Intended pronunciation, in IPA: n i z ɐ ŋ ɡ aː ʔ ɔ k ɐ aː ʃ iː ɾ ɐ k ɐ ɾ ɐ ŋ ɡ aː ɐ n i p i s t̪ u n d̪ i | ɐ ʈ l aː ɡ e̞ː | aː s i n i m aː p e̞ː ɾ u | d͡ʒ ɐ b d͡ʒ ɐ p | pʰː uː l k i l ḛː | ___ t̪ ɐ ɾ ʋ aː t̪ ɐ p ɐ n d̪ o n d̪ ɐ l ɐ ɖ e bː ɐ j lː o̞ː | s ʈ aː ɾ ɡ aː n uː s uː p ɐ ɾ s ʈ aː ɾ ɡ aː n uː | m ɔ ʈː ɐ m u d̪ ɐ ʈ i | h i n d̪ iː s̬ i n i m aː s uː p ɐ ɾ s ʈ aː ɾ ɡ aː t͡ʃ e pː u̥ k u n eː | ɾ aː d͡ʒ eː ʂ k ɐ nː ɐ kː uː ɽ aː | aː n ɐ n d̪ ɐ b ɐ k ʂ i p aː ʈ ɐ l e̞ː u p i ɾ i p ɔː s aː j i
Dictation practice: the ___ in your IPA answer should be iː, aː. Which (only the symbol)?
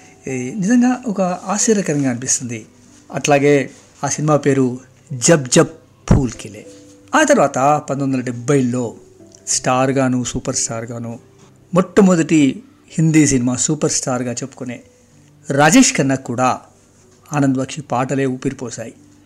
aː